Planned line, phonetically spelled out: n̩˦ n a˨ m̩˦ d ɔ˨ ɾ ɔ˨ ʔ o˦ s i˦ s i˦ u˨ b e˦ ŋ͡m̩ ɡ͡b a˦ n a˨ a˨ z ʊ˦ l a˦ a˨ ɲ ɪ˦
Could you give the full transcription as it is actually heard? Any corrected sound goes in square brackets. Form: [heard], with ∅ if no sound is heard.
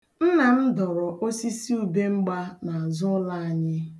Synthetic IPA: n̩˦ n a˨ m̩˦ d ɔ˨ ɾ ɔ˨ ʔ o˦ s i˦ s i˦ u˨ b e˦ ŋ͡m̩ ɡ͡b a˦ n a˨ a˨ z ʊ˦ l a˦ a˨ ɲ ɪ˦

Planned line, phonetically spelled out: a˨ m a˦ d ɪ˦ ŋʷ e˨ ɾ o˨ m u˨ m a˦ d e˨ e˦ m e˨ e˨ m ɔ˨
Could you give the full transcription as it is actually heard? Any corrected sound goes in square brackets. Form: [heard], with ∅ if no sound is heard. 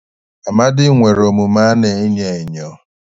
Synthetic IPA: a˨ m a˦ d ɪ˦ ŋʷ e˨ ɾ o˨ m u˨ m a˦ [n] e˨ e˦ [ɲ] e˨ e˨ [ɲ] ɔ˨

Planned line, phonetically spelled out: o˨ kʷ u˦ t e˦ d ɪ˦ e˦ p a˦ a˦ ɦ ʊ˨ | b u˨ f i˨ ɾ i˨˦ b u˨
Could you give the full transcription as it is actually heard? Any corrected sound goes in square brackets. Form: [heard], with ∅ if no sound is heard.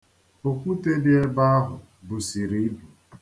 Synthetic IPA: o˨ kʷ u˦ t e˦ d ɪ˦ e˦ [b] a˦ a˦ ɦ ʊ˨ | b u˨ [s] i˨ ɾ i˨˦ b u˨

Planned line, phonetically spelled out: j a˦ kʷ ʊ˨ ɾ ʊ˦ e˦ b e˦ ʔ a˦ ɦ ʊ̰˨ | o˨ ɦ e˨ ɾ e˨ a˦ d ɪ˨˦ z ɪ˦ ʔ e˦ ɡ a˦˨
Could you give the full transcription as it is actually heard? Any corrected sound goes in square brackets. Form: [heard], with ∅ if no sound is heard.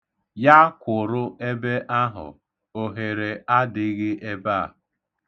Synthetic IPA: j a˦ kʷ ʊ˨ ɾ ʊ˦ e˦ b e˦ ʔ a˦ ɦ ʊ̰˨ | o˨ ɦ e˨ ɾ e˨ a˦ d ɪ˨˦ [ɣ] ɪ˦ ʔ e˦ [b] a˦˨

